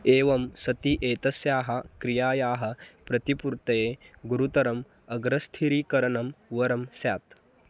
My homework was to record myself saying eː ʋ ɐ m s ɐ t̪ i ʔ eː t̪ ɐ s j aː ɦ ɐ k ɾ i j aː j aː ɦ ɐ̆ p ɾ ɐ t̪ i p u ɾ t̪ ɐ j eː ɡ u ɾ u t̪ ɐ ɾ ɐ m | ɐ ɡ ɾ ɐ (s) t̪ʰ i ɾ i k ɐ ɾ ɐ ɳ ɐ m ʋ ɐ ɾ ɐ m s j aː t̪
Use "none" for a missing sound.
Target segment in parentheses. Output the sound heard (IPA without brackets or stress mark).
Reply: s